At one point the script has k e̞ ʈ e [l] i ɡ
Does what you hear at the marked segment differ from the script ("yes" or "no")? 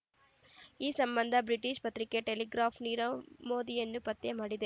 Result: no